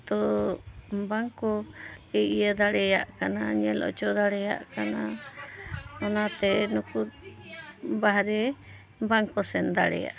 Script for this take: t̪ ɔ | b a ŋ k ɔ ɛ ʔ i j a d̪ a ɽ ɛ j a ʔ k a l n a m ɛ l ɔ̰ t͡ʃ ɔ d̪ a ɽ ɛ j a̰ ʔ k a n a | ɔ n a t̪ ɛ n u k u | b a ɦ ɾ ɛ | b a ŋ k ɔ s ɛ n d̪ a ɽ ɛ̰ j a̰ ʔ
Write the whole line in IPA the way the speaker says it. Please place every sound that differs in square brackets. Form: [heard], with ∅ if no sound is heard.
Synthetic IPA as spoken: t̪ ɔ | b a ŋ k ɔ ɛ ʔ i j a d̪ a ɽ ɛ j a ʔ k a [∅] n a [ɲ] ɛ l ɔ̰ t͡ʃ ɔ d̪ a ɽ ɛ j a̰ ʔ k a n a | ɔ n a t̪ ɛ n u k u | b a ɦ ɾ ɛ | b a ŋ k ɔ s ɛ n d̪ a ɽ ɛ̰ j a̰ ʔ